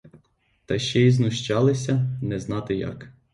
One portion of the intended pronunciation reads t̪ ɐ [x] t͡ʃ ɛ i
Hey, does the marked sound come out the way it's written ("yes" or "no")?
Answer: no